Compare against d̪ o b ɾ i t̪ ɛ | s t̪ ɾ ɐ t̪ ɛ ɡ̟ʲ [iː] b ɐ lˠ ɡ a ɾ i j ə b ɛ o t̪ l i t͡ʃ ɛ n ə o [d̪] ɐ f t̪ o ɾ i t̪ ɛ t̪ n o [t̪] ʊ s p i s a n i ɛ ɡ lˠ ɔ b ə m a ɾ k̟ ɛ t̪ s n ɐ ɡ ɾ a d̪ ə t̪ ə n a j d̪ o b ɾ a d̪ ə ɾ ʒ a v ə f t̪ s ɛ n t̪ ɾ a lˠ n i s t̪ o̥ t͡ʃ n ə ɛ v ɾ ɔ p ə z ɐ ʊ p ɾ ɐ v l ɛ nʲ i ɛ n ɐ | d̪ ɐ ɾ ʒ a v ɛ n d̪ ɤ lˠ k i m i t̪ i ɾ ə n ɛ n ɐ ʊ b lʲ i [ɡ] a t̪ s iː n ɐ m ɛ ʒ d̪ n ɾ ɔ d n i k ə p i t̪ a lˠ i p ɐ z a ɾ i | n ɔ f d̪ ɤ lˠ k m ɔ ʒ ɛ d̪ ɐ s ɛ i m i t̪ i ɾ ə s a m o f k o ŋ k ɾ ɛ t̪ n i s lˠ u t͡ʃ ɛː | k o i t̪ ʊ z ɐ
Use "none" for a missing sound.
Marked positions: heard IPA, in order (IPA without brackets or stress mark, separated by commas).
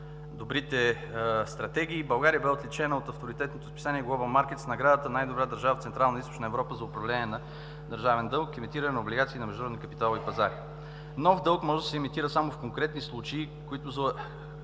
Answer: iː, t̪, t̪, ɡ